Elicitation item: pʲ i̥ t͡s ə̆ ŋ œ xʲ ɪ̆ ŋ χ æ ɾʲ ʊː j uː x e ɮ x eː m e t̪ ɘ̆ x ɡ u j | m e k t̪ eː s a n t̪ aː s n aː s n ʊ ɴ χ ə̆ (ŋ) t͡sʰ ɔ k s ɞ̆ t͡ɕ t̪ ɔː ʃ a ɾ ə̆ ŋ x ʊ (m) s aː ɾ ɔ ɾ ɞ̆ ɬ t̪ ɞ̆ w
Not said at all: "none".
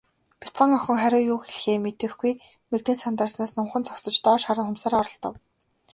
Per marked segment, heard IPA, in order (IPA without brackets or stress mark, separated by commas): n, m